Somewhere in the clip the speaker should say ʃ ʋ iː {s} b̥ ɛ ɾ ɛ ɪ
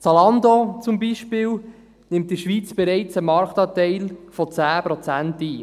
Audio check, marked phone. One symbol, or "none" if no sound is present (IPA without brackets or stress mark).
t͡s